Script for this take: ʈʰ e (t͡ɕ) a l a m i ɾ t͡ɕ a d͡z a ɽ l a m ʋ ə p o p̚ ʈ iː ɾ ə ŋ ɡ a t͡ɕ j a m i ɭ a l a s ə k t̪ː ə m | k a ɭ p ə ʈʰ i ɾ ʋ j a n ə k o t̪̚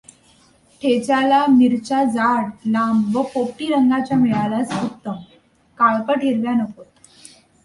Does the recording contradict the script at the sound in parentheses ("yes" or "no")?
no